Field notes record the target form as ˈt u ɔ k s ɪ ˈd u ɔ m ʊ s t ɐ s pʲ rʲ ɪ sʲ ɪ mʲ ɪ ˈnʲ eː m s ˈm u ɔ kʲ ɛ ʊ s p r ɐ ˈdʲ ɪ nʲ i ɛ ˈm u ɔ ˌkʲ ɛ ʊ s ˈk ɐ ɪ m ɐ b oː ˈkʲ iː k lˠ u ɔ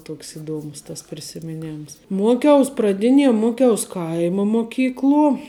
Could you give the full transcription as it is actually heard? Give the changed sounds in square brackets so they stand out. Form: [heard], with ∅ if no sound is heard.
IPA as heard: ˈt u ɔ k s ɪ ˈd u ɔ m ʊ s t ɐ s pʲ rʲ ɪ sʲ ɪ mʲ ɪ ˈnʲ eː m s ˈm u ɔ kʲ ɛ ʊ s p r ɐ ˈdʲ ɪ nʲ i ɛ ˈm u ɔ ˌkʲ ɛ ʊ s ˈk ɐ ɪ m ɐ [m] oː ˈkʲ iː k lˠ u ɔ

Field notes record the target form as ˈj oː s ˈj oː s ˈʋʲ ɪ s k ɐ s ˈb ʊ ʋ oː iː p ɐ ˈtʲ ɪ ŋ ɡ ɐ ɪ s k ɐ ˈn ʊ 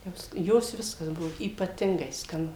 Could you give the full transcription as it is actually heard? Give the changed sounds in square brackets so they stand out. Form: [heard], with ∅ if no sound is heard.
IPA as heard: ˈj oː s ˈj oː s ˈʋʲ ɪ s k ɐ s ˈb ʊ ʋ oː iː p ɐ ˈtʲ ɪ ŋ ɡ ɐ ɪ s k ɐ ˈn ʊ

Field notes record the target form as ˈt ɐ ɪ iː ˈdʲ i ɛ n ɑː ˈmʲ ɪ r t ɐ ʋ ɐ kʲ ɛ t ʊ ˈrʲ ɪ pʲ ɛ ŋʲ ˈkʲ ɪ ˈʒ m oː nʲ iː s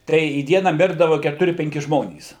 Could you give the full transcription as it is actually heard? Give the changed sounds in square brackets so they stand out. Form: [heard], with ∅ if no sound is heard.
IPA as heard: ˈt ɐ ɪ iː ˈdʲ i ɛ n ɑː ˈmʲ ɪ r [d] ɐ ʋ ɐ kʲ ɛ t ʊ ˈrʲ ɪ pʲ ɛ ŋʲ ˈkʲ ɪ ˈʒ m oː nʲ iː s

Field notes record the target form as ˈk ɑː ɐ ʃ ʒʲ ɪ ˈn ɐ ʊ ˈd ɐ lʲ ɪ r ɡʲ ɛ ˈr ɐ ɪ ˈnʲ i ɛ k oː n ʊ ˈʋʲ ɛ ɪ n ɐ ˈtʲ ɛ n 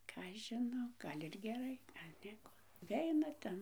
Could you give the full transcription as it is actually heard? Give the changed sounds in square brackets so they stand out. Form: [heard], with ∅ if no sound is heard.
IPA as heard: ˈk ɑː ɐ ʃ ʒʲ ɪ ˈn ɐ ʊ [ˈɡ] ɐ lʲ ɪ r ɡʲ ɛ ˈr ɐ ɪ ˈnʲ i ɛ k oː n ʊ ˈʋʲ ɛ ɪ n ɐ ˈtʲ ɛ n

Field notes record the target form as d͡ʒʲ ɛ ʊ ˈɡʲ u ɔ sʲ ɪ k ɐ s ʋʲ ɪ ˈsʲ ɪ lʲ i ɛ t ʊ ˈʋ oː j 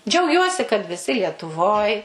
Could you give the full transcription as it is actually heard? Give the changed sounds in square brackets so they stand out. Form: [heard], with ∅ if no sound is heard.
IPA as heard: d͡ʒʲ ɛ ʊ ˈɡʲ u ɔ sʲ ɪ k ɐ [t] ʋʲ ɪ ˈsʲ ɪ lʲ i ɛ t ʊ ˈʋ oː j

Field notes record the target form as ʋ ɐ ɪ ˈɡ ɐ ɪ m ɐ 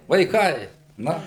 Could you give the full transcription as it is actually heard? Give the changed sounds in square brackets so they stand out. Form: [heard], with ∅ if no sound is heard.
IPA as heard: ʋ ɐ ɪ [ˈk] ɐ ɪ [n] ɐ

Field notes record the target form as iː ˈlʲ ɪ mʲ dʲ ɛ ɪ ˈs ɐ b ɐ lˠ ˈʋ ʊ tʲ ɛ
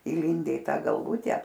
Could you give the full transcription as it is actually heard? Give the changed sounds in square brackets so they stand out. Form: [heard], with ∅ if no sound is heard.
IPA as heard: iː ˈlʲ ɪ [nʲ] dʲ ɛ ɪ [ˈt] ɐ [ɡ] ɐ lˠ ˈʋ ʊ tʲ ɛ

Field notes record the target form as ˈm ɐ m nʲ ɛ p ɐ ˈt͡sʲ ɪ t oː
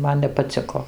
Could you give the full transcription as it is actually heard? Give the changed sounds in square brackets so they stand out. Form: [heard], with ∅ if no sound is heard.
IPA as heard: ˈm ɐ [n] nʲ ɛ p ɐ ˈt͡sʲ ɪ [k] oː

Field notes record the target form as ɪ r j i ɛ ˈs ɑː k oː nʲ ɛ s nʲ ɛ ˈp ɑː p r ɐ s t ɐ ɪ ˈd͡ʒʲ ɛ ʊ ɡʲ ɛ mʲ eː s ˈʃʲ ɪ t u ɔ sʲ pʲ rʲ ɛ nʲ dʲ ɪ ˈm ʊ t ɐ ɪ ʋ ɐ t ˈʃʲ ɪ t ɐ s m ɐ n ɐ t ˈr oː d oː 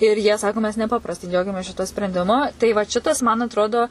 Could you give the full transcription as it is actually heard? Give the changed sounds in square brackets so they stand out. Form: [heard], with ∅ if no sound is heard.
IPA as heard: ɪ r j i ɛ ˈs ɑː k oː [mʲ] ɛ s nʲ ɛ ˈp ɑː p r ɐ s t ɐ ɪ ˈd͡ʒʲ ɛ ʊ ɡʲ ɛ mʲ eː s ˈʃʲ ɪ t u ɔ sʲ pʲ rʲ ɛ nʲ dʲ ɪ ˈm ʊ t ɐ ɪ ʋ ɐ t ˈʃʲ ɪ t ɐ s m ɐ n ɐ t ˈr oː d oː

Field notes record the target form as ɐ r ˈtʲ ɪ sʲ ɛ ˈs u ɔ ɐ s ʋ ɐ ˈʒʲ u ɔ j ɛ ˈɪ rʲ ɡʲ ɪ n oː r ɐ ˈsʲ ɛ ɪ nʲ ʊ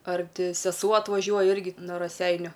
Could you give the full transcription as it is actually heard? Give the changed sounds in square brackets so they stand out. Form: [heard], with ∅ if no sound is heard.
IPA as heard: ɐ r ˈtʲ ɪ sʲ ɛ ˈs u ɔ ɐ [t] ʋ ɐ ˈʒʲ u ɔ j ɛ ˈɪ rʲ ɡʲ ɪ n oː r ɐ ˈsʲ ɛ ɪ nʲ ʊ

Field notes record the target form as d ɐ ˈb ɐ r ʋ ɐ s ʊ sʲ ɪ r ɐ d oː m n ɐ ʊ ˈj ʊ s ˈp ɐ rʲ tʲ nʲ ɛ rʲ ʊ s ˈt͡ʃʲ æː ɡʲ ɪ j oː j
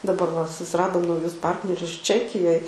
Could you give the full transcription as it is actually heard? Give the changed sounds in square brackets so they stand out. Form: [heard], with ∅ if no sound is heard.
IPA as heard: d ɐ ˈb ɐ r ʋ ɐ s ʊ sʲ ɪ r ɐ d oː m n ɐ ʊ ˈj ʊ s ˈp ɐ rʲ tʲ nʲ ɛ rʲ ʊ s ˈt͡ʃʲ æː [kʲ] ɪ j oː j

